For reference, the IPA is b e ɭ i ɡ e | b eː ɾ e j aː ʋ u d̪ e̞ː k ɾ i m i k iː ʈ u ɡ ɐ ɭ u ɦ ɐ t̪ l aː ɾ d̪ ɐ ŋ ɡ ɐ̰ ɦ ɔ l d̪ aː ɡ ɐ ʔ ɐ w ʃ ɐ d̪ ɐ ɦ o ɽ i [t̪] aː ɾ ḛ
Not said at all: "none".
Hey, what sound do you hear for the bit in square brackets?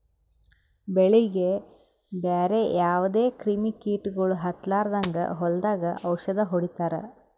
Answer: t̪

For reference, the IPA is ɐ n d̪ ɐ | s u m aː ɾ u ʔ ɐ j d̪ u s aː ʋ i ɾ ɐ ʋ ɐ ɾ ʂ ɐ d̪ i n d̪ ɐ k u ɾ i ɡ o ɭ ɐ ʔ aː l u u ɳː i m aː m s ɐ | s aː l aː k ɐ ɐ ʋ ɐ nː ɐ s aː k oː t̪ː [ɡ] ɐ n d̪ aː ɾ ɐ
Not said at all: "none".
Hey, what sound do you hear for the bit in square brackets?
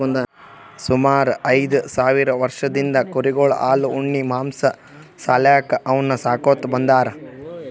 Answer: b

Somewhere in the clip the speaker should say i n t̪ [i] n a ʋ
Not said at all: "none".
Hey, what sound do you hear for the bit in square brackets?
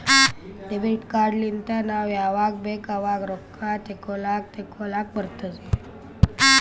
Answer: a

